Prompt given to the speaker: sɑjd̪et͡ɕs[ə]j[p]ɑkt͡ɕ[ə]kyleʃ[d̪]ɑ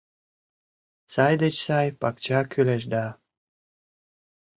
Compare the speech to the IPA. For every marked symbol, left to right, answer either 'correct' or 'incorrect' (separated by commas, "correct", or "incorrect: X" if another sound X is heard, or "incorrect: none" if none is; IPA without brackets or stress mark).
incorrect: ɑ, correct, incorrect: ɑ, correct